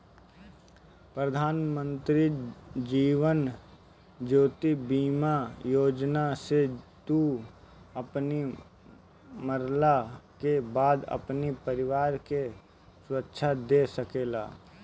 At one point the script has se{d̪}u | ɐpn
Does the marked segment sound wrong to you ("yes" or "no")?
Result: yes